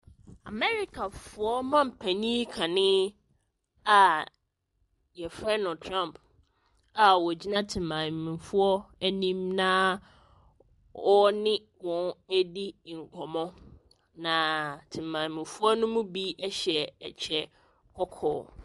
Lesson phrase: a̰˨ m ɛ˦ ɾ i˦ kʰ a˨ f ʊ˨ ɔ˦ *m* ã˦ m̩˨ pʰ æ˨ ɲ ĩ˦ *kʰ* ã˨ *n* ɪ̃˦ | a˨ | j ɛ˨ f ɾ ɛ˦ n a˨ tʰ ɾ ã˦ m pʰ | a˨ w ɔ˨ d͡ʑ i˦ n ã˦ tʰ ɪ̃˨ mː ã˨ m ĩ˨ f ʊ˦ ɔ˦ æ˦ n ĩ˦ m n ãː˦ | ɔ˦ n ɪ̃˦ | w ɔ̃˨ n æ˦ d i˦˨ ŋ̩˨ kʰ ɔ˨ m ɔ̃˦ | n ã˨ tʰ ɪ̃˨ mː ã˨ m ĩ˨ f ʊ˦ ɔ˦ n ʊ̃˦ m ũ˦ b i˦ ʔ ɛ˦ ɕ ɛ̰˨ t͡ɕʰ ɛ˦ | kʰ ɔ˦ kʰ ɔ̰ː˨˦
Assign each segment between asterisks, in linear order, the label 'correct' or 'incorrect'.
correct, correct, correct

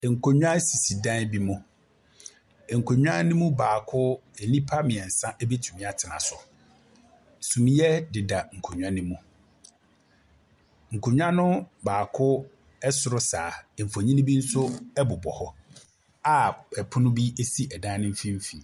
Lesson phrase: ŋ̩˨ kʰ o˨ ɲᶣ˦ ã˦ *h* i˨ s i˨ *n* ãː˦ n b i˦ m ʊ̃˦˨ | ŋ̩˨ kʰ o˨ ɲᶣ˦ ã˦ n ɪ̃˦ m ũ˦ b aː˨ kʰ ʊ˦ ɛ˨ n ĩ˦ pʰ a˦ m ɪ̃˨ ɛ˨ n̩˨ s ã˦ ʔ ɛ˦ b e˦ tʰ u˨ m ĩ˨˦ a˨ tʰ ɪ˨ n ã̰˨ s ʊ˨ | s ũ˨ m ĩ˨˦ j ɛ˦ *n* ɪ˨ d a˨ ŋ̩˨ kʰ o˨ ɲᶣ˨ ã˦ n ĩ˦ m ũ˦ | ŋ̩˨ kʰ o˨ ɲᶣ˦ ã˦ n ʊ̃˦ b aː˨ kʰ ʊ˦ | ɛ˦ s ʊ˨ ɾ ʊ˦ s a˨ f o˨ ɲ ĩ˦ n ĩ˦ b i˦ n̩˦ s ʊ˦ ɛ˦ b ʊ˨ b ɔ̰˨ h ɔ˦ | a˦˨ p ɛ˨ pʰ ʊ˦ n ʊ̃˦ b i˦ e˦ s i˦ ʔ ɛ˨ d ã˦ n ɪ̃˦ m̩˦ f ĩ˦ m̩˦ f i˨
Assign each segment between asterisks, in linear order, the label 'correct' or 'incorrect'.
incorrect: s, incorrect: d, incorrect: d

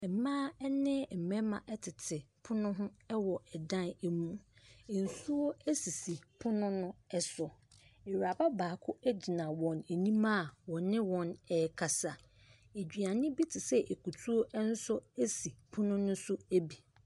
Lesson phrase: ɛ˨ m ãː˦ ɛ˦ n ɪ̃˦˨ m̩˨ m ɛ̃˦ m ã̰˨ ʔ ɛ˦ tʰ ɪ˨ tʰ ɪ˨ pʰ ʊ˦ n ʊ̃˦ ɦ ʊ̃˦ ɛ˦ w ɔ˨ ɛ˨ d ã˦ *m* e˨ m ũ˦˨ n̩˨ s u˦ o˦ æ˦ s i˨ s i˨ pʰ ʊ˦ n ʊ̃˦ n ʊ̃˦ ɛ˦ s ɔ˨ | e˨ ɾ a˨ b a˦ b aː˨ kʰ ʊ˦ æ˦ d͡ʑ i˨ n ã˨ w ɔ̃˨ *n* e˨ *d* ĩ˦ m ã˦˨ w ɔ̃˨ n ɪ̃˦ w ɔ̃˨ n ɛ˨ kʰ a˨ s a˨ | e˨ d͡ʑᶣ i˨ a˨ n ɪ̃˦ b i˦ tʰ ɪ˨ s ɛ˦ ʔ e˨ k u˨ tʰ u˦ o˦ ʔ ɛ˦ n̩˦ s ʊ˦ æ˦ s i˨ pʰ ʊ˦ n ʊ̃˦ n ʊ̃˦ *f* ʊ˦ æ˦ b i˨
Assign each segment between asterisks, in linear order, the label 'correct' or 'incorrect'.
incorrect: n, correct, incorrect: n, incorrect: s

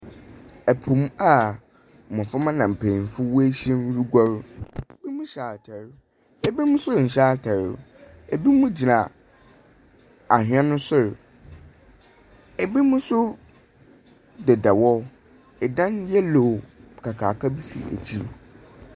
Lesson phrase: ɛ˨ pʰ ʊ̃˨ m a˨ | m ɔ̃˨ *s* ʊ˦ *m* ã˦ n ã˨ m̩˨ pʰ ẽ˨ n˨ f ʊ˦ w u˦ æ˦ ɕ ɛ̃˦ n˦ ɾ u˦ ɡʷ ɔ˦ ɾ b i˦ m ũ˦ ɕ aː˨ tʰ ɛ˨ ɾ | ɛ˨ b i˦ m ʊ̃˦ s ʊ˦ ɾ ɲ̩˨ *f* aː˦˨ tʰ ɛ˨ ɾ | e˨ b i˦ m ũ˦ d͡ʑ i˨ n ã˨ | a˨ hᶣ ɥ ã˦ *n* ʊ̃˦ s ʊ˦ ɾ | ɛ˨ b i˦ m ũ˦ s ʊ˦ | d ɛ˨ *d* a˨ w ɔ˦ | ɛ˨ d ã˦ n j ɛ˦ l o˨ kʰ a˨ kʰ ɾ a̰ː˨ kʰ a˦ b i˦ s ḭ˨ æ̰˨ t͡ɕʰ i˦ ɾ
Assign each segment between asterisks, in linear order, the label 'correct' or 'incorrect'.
incorrect: f, correct, incorrect: ɕ, correct, correct

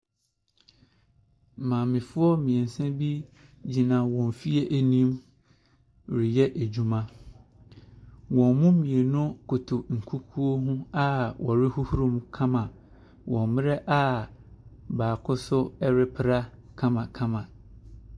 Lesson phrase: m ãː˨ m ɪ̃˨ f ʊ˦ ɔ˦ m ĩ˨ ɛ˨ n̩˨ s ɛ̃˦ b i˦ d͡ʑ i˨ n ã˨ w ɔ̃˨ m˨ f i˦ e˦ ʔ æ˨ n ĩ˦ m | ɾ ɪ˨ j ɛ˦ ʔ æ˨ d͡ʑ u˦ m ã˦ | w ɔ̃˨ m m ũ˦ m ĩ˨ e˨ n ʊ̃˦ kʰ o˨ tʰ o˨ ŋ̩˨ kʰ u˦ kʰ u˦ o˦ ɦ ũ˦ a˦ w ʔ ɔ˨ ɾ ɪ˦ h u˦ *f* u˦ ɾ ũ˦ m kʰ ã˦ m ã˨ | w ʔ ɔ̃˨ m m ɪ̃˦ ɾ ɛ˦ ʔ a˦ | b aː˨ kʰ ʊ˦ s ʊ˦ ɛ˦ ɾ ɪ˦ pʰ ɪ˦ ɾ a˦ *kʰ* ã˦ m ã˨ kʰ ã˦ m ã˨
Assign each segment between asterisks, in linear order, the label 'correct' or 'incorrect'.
incorrect: h, correct

